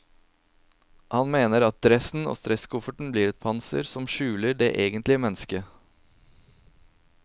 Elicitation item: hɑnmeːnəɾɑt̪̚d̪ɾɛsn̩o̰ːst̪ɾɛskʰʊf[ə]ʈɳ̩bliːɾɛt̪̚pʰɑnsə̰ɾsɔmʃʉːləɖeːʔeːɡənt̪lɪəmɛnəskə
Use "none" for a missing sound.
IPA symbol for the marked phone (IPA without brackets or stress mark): ə